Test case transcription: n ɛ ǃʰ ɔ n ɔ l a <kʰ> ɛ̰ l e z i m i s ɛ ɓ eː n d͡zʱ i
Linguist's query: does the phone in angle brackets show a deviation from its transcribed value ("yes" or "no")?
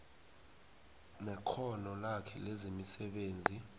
no